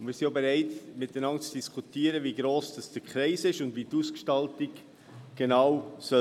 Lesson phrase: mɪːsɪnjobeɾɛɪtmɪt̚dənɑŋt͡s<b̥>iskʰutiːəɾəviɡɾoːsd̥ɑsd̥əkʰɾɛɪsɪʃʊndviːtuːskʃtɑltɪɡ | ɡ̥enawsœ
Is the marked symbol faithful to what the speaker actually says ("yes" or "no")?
no